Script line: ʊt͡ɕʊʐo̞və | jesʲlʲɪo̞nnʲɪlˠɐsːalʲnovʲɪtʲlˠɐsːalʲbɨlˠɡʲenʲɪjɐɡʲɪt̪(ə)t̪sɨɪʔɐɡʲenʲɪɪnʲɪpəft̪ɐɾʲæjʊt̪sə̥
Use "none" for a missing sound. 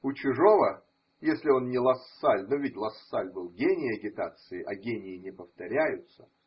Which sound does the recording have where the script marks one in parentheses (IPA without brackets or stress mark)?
a